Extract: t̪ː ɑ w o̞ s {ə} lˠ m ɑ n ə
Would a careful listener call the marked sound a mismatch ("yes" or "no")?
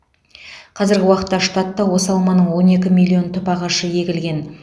yes